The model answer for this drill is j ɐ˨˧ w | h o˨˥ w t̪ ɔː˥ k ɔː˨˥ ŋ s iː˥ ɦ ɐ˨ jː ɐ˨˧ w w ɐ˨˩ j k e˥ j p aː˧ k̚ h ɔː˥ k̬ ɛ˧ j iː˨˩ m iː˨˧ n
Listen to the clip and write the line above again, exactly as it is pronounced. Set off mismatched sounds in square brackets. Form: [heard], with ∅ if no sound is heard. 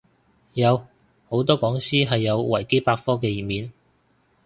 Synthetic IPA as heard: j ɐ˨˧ w | h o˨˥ w t̪ ɔː˥ k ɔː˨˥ ŋ s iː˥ ɦ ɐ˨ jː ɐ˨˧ w w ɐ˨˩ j k e˥ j p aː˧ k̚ [f] ɔː˥ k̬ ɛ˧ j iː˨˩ m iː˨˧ n

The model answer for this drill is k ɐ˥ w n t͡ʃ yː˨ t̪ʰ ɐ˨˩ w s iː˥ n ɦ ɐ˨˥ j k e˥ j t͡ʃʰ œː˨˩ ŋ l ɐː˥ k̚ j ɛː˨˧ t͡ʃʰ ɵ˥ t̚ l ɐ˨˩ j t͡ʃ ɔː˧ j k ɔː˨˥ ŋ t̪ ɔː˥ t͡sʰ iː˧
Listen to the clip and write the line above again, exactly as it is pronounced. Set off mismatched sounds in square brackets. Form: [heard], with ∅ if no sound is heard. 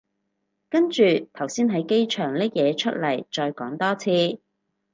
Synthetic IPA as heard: k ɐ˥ [∅] n t͡ʃ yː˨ t̪ʰ ɐ˨˩ w s iː˥ n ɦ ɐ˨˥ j k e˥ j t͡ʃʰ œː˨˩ ŋ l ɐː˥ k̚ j ɛː˨˧ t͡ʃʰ ɵ˥ t̚ l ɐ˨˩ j t͡ʃ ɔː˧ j k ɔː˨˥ ŋ t̪ ɔː˥ t͡sʰ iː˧

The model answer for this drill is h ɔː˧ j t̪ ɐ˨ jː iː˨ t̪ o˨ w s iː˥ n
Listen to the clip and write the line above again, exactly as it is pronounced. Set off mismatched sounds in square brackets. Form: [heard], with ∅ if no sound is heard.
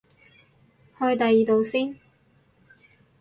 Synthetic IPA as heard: h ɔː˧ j t̪ ɐ˨ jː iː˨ t̪ o˨ w s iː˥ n

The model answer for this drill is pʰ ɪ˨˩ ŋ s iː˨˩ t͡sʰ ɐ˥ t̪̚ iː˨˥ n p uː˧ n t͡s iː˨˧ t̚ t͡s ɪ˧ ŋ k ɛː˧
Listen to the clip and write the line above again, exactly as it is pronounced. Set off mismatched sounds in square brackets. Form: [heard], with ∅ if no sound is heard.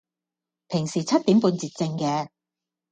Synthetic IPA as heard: pʰ ɪ˨˩ ŋ s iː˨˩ t͡sʰ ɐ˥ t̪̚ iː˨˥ [m] p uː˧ n t͡s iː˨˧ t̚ t͡s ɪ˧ ŋ k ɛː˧

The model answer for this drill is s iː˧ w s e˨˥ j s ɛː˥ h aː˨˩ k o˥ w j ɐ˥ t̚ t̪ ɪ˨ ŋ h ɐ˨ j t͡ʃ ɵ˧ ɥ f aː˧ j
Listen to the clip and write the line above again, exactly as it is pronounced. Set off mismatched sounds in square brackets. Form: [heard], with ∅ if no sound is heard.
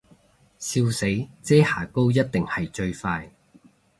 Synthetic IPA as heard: s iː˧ w s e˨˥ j [t͡s] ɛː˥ h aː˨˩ k o˥ w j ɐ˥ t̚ t̪ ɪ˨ ŋ h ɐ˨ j t͡ʃ ɵ˧ ɥ f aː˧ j

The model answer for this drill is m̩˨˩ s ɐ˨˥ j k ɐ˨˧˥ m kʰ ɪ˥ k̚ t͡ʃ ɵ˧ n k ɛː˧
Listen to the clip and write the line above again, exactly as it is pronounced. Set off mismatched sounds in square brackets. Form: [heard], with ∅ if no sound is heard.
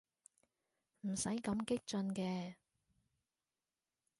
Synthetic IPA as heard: m̩˨˩ s ɐ˨˥ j k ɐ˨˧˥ m [k] ɪ˥ k̚ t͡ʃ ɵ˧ n k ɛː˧

